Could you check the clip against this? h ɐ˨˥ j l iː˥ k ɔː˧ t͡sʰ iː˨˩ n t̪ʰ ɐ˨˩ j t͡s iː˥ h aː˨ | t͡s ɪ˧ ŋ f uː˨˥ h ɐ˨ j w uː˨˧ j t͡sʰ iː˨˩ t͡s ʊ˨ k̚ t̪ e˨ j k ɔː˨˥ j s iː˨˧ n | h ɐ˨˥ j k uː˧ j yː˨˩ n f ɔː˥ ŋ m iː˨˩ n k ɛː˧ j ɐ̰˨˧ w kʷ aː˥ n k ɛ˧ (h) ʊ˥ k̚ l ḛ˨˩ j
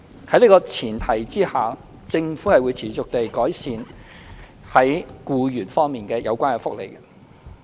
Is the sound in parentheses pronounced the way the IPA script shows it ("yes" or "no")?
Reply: no